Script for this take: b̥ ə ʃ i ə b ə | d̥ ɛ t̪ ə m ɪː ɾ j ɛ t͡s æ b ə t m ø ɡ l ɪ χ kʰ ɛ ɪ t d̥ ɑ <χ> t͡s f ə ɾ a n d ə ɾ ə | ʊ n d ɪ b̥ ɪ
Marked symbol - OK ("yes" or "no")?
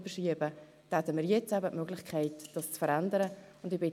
no